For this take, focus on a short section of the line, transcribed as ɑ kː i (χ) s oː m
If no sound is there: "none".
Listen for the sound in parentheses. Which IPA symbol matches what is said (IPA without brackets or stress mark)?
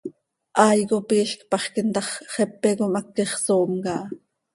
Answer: χ